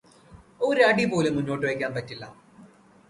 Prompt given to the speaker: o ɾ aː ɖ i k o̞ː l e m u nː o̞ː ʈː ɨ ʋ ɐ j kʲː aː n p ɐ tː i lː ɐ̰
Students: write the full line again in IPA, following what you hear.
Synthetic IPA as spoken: o ɾ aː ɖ i p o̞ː l e m u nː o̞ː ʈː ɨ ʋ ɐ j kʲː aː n p ɐ tː i lː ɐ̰